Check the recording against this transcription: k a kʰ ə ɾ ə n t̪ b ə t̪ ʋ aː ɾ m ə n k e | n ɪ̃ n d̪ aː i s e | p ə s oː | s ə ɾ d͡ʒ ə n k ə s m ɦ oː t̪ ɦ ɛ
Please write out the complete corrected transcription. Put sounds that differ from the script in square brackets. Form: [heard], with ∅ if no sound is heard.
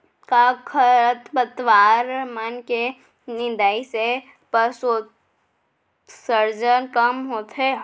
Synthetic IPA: k a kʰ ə ɾ ə [∅] t̪ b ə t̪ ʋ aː ɾ m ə n k e | n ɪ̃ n d̪ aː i s e | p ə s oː | s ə ɾ d͡ʒ ə n k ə [∅] m ɦ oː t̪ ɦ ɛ